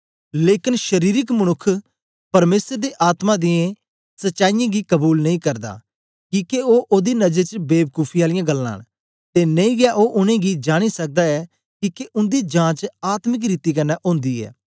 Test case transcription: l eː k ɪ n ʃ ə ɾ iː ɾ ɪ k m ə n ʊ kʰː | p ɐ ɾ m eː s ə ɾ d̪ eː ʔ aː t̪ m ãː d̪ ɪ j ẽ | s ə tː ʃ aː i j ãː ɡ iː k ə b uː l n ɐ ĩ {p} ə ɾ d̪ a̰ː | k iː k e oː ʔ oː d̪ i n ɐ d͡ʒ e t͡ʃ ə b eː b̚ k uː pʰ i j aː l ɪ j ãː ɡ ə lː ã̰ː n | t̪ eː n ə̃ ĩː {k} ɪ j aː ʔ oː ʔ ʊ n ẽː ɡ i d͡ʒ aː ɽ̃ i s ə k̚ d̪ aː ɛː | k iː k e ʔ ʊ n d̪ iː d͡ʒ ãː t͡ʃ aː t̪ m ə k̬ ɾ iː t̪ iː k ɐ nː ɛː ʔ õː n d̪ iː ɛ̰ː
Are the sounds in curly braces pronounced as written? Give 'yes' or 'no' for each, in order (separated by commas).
no, no